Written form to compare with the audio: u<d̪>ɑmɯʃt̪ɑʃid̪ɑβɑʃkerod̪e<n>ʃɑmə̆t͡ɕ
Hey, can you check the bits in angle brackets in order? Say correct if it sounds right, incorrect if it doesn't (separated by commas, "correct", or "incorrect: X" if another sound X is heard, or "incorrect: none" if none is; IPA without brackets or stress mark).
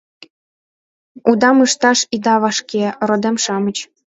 correct, incorrect: m